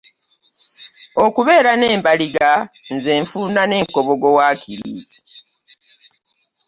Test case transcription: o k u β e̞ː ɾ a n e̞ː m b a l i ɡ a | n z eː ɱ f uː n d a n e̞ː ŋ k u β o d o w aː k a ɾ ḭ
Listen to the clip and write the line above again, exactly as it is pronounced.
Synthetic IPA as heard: o k u β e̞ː ɾ a n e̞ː m b a l i ɡ a | n z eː ɱ f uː n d a n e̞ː ŋ k o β o ɡ o w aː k i ɾ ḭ